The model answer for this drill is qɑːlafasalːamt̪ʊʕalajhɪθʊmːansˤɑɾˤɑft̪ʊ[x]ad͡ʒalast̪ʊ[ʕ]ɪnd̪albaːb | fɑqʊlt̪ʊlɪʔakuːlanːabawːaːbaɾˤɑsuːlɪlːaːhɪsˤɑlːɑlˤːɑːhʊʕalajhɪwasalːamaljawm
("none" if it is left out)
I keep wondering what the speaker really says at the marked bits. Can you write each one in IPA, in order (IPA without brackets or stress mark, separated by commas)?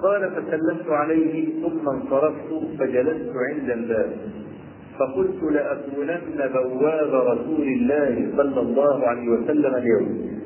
f, ʕ